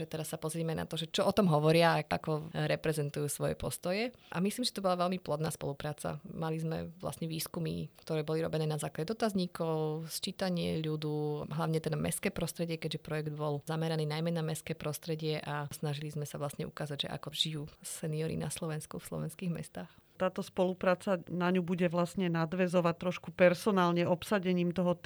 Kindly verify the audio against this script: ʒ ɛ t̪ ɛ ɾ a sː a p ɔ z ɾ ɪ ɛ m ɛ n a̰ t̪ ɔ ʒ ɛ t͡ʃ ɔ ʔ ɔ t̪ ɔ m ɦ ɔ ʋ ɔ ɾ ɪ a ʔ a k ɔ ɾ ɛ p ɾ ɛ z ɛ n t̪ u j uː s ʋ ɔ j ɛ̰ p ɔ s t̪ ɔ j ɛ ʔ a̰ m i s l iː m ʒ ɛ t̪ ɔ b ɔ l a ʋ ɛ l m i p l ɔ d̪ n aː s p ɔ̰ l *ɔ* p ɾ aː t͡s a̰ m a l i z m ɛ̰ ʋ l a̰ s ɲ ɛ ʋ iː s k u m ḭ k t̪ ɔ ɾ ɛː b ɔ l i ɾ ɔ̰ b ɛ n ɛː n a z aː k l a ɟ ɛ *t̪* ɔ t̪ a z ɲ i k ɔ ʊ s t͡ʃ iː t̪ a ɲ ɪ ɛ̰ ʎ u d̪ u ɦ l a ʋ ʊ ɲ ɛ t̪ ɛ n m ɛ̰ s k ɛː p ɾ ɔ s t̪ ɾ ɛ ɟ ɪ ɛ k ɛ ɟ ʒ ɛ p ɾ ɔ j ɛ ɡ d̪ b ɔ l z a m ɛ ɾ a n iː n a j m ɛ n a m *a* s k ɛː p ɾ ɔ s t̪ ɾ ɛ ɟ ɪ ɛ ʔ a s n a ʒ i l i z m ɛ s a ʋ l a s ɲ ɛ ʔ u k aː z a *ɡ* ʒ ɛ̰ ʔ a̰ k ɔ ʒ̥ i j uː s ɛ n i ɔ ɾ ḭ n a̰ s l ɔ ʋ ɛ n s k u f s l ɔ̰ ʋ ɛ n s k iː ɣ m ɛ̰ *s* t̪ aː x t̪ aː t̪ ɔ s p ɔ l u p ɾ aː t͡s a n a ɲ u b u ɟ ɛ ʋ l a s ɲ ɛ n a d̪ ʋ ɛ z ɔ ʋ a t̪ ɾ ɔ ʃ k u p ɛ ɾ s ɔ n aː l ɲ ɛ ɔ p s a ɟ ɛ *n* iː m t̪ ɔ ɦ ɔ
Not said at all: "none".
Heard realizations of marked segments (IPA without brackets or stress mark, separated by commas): u, d̪, ɛ, ɟ, s, ɲ